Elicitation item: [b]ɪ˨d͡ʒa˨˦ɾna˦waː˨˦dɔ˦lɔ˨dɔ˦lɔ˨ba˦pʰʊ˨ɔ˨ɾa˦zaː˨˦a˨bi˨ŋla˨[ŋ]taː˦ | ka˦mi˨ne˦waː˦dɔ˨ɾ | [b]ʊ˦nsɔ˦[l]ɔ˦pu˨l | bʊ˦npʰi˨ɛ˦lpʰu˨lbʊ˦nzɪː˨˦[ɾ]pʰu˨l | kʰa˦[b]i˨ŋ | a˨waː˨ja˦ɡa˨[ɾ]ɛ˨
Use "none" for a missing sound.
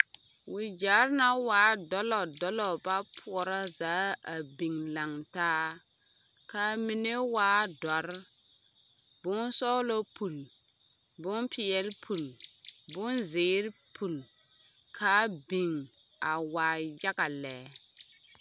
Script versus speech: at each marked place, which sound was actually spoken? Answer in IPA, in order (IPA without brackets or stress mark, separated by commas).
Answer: w, ŋ, b, l, ɾ, b, l